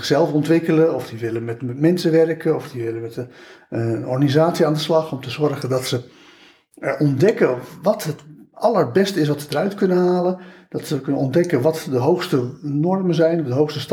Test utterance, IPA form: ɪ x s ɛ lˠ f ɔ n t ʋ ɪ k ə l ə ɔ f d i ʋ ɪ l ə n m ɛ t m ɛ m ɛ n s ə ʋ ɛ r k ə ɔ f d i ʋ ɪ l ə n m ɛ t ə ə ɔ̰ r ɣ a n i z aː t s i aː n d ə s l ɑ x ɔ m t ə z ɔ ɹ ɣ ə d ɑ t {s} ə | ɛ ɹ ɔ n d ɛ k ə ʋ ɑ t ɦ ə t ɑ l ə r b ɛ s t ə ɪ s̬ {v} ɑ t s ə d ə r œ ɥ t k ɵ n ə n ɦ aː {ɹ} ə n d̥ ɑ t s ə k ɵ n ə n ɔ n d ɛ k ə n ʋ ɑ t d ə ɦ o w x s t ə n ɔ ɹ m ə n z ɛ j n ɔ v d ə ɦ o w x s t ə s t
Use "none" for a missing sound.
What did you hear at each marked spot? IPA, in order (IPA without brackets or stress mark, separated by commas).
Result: s, ʋ, l